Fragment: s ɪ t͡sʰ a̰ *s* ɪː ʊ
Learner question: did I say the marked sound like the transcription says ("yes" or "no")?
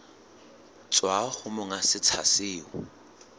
yes